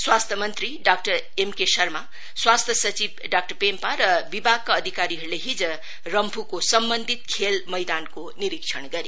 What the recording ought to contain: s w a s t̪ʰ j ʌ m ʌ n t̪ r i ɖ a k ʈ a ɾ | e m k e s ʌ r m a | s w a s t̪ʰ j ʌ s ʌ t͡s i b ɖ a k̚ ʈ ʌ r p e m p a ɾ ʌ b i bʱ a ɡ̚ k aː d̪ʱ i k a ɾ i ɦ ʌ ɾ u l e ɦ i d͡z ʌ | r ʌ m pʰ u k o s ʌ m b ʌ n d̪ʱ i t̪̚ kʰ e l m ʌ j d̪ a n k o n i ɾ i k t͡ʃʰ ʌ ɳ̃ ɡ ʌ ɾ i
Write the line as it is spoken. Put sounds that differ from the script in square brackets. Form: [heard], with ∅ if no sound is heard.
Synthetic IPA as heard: s w a s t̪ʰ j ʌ m ʌ n t̪ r i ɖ a k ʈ [ʌ] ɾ | e m k e s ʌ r m a | s w a s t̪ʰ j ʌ s ʌ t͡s i b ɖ a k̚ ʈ ʌ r p e m p a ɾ ʌ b i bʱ a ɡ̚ k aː d̪ʱ i k a ɾ i ɦ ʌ ɾ u l e ɦ i d͡z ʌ | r ʌ m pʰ u k o s ʌ m b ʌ n d̪ʱ i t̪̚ kʰ e l m ʌ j d̪ a n k o n i ɾ i k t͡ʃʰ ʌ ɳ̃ ɡ ʌ ɾ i

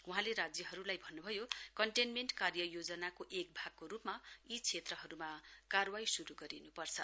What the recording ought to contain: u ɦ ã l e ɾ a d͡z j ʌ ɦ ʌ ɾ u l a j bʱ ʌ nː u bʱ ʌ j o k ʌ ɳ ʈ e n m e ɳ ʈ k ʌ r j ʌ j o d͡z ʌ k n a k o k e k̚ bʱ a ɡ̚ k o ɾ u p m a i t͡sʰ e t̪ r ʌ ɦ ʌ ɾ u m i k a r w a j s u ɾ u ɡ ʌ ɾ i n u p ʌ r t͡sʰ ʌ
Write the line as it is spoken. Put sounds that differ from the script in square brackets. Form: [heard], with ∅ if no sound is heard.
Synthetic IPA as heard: u ɦ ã l e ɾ a d͡z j ʌ ɦ ʌ ɾ u l a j bʱ ʌ nː u bʱ ʌ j o k ʌ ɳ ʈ e n m e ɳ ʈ k [a] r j ʌ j o d͡z ʌ [∅] n a k o [ʔ] e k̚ bʱ a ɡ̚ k o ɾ u p m a i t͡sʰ e t̪ r ʌ ɦ ʌ ɾ u m [a] k a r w a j s u ɾ u ɡ ʌ ɾ i n u p ʌ r t͡sʰ ʌ

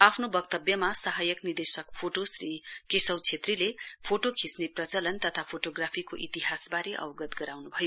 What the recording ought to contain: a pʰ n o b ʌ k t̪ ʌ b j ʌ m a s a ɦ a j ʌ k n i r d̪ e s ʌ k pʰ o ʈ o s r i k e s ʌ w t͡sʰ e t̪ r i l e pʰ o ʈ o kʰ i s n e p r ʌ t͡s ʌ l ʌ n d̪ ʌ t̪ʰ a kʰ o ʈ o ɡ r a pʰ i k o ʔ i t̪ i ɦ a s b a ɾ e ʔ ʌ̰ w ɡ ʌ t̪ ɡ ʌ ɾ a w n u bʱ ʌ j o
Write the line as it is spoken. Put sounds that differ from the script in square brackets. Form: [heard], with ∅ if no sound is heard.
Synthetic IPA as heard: a pʰ n o b ʌ k t̪ ʌ b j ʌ m a s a ɦ a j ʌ k n i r d̪ e s ʌ k pʰ o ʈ o s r i k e s ʌ w t͡sʰ e t̪ r i l e pʰ o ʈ o kʰ i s n e p r ʌ t͡s ʌ l ʌ n [t̪] ʌ t̪ʰ a [pʰ] o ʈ o ɡ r a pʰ i k o ʔ i t̪ i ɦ a s b a ɾ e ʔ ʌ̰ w ɡ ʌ t̪ ɡ ʌ ɾ a w n u bʱ ʌ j o

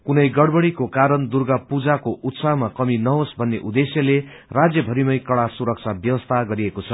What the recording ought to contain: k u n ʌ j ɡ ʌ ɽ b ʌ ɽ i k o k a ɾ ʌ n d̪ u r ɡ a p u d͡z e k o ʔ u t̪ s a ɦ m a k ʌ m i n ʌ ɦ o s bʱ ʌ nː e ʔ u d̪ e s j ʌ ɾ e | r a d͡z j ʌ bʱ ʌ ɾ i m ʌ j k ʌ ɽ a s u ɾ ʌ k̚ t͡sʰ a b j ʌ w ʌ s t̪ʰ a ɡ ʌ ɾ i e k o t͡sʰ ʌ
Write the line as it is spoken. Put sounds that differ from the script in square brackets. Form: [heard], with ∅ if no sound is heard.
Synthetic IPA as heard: k u n ʌ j ɡ ʌ ɽ b ʌ ɽ i k o k a ɾ ʌ n d̪ u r ɡ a p u d͡z [a] k o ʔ u t̪ s a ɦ m a k ʌ m i n ʌ ɦ o s bʱ ʌ nː e ʔ u d̪ e s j ʌ [l] e | r a d͡z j ʌ bʱ ʌ ɾ i m ʌ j k ʌ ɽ a s u ɾ ʌ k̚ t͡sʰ a b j ʌ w ʌ s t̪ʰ a ɡ ʌ ɾ i e k o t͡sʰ ʌ

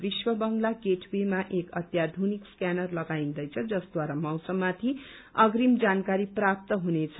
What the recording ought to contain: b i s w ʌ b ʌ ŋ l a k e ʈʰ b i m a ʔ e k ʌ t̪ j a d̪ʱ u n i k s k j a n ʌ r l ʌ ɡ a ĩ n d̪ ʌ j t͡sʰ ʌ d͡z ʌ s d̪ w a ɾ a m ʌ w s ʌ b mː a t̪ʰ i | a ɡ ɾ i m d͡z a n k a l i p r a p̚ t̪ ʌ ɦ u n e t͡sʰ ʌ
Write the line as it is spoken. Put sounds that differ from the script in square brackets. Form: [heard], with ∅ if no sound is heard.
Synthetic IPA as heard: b i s w ʌ b ʌ ŋ l a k e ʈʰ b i m a ʔ e k ʌ t̪ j a d̪ʱ u n i k s k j a n ʌ r l ʌ ɡ a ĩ n d̪ ʌ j t͡sʰ ʌ d͡z ʌ s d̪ w a ɾ a m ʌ w s ʌ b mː a t̪ʰ i | [ʌ] ɡ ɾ i m d͡z a n k a [ɾ] i p r a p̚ t̪ ʌ ɦ u n e t͡sʰ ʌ

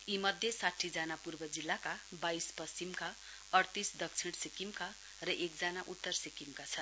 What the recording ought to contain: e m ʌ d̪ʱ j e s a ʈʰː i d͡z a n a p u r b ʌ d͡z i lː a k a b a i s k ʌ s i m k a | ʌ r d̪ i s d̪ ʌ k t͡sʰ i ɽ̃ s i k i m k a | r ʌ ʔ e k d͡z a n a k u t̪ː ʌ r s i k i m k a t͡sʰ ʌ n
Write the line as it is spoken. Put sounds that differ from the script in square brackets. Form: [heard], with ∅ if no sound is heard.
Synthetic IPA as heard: [i] m ʌ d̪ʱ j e s a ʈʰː i d͡z a n a p u r b ʌ d͡z i lː a k a b a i s [p] ʌ s i m k a | ʌ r [t̪] i s d̪ ʌ k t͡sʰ i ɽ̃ s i k i m k a | r ʌ ʔ e k d͡z a n a [ʔ] u t̪ː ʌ r s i k i m k a t͡sʰ ʌ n

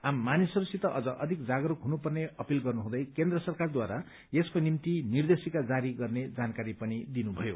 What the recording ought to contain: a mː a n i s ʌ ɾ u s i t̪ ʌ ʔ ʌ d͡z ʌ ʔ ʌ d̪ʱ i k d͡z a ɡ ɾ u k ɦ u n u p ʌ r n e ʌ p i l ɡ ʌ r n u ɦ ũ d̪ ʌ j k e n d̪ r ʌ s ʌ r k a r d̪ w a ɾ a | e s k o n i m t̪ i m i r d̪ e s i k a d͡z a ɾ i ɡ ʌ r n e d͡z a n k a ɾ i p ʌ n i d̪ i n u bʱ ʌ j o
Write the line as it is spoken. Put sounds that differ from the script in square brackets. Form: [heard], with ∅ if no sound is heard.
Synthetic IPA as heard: a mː a n i s ʌ ɾ u s i t̪ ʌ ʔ ʌ d͡z ʌ ʔ ʌ d̪ʱ i k d͡z a ɡ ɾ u k ɦ u n u p ʌ r n e ʌ p i l ɡ ʌ r n u ɦ ũ d̪ ʌ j k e n d̪ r ʌ s ʌ r k a r d̪ w a ɾ a | e s k o n i m t̪ i [n] i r d̪ e s i k a d͡z a ɾ i ɡ ʌ r n e d͡z a n k a ɾ i p ʌ n i d̪ i n u bʱ ʌ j o

